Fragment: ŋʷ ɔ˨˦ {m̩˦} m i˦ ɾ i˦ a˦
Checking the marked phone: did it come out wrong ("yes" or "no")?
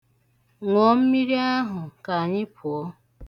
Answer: no